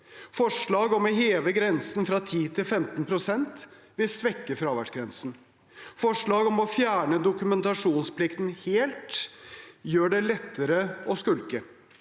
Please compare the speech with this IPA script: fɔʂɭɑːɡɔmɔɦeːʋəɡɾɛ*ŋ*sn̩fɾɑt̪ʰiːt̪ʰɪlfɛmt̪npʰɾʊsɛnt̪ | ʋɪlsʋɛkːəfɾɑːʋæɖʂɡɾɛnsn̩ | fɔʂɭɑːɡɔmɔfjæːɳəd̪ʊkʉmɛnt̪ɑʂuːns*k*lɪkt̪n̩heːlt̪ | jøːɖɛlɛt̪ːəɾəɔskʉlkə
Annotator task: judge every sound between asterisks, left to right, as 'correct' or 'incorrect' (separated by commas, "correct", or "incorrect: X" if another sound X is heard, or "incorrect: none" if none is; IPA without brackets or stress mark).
incorrect: n, incorrect: p